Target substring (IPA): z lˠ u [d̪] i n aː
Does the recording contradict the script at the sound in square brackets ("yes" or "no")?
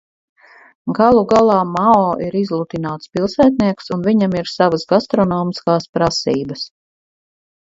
yes